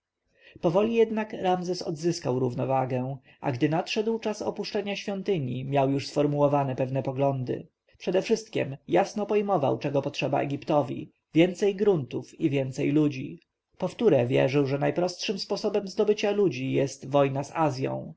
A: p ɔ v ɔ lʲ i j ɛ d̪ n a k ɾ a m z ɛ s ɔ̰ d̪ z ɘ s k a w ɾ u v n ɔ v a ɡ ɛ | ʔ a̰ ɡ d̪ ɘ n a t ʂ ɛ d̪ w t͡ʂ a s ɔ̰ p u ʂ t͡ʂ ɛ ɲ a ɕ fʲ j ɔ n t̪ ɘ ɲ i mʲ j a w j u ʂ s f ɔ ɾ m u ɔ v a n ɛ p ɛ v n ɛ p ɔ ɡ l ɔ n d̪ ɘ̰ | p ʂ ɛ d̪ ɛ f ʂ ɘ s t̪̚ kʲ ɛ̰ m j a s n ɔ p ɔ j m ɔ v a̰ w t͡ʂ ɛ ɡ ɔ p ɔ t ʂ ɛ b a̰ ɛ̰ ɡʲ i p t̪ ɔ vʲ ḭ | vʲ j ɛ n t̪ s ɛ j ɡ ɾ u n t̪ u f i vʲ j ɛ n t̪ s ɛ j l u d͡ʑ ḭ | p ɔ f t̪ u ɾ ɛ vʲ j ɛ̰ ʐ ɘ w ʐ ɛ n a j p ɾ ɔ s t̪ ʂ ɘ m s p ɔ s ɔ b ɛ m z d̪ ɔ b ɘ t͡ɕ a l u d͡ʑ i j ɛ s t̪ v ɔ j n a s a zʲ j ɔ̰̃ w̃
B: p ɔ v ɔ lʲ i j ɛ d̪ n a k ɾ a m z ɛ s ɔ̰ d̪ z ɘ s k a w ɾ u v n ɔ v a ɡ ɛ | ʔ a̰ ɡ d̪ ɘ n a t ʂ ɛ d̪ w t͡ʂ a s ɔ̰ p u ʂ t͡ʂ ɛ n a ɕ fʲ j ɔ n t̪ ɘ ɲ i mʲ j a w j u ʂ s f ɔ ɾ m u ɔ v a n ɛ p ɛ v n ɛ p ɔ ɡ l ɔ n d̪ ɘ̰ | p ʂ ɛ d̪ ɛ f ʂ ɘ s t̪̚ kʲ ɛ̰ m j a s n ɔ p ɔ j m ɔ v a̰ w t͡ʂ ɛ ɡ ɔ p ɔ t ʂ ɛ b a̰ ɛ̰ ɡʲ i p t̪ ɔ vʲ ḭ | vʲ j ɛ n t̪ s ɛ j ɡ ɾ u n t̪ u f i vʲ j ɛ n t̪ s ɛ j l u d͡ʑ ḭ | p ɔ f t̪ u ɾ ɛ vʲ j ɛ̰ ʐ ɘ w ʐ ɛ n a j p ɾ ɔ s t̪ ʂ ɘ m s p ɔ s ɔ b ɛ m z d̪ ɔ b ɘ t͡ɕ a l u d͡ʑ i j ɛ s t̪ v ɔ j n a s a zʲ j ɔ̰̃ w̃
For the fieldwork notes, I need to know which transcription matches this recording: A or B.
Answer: A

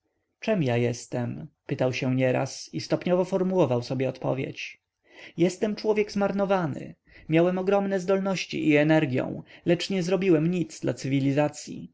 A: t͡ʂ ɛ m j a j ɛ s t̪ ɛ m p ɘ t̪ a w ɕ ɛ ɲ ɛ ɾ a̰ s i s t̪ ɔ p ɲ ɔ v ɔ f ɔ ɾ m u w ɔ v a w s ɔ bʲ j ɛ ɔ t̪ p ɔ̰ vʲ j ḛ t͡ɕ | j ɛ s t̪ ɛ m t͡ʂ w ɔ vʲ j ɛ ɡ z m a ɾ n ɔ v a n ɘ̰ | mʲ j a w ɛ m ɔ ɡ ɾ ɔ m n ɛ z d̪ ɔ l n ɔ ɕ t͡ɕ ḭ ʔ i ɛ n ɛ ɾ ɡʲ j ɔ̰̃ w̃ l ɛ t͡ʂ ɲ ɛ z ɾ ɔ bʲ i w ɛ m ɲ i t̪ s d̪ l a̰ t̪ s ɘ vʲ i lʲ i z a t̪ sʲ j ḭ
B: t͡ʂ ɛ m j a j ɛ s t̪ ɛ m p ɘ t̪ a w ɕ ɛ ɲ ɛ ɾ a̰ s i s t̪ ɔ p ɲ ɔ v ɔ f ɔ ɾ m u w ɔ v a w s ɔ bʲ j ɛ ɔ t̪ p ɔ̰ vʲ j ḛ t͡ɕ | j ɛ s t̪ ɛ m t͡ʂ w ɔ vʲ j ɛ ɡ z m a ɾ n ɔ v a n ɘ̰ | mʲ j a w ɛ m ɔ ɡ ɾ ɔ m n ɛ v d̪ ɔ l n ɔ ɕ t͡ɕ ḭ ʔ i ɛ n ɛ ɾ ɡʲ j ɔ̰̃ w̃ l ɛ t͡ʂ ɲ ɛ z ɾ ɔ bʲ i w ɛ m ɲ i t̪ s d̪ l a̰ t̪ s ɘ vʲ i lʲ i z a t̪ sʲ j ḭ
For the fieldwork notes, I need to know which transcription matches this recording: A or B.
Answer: A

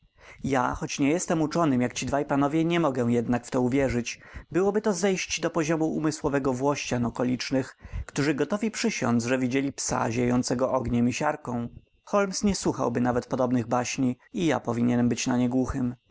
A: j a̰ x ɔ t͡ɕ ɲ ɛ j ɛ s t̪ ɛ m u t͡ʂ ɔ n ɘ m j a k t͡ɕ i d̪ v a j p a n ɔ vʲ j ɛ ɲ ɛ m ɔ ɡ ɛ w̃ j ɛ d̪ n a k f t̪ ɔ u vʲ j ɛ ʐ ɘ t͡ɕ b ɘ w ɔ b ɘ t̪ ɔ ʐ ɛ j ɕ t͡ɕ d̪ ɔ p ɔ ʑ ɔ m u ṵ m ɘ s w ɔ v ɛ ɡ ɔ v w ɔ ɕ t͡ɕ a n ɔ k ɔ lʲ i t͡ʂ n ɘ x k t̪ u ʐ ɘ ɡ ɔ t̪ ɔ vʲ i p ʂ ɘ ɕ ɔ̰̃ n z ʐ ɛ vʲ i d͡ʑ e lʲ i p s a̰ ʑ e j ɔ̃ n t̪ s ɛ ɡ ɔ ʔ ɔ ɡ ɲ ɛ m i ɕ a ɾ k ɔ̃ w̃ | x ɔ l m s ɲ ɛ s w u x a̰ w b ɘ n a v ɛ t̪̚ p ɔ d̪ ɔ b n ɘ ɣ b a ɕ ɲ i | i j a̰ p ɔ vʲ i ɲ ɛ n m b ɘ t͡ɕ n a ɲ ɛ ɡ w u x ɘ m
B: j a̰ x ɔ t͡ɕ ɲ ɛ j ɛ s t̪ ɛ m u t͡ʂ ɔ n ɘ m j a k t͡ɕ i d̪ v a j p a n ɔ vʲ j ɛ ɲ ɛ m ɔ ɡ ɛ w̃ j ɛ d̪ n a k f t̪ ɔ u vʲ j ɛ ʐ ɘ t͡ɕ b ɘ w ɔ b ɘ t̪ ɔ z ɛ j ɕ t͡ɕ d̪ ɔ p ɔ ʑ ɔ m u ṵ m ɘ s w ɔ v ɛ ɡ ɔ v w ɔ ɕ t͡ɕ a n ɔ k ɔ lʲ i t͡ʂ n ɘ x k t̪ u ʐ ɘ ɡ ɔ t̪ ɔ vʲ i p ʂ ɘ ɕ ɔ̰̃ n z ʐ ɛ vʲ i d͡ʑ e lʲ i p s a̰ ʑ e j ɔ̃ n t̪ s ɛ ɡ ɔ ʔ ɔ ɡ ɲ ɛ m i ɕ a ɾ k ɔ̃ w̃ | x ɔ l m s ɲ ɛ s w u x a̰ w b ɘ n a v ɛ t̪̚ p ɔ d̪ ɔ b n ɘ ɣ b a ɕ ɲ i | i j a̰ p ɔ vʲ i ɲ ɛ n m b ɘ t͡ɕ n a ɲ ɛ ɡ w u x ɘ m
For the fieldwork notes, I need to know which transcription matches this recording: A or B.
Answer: B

